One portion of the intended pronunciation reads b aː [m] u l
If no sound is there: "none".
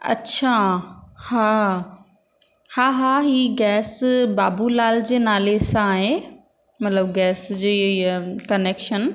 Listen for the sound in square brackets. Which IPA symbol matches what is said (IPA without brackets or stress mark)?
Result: b